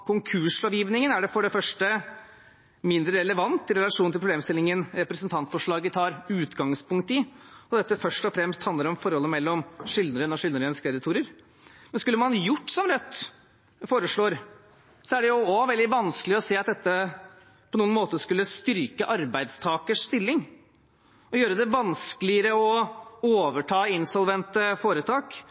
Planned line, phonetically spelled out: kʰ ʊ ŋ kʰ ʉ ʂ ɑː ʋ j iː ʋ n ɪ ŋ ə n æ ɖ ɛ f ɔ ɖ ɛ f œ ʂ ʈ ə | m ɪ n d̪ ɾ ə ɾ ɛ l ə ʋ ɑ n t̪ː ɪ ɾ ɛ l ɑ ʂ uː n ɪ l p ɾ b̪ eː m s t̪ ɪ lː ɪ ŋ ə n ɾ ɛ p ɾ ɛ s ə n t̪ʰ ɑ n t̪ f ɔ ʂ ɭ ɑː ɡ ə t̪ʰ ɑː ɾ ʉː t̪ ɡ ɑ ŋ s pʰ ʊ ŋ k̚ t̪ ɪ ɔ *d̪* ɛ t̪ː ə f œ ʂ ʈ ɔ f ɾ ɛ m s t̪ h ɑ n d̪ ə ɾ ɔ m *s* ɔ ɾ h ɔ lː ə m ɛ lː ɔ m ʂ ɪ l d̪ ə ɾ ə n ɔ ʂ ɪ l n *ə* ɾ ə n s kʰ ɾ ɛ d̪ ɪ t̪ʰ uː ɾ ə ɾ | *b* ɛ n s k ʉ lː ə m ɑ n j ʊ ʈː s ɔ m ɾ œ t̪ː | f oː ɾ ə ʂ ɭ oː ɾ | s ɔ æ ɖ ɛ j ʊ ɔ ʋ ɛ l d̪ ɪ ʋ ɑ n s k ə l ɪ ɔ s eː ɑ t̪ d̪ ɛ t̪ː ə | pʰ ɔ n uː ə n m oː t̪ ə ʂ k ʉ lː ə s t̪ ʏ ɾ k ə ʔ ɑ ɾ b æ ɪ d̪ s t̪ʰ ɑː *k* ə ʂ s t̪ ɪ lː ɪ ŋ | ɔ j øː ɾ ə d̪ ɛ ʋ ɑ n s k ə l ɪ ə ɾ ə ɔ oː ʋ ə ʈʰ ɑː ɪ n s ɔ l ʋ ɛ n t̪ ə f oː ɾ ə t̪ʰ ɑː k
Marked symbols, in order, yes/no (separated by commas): yes, no, yes, no, yes